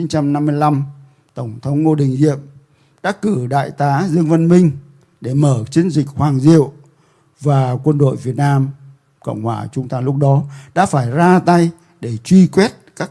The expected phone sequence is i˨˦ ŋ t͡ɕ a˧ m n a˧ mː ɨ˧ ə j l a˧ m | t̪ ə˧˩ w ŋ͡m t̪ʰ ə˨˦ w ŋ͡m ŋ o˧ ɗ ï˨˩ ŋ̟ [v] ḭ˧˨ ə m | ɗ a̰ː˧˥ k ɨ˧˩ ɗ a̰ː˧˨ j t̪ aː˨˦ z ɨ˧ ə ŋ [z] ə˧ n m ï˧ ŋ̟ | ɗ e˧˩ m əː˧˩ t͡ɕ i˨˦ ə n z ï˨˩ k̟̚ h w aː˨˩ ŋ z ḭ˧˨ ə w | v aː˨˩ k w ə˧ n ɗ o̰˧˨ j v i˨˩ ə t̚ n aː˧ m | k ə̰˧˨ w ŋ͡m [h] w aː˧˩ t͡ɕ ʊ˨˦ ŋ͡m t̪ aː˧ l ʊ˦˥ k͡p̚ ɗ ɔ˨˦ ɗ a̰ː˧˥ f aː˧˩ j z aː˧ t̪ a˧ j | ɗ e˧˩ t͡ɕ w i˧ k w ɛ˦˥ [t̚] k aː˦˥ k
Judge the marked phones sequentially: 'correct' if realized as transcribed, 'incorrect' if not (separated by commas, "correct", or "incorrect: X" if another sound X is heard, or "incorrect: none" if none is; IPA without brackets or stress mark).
incorrect: z, incorrect: v, correct, correct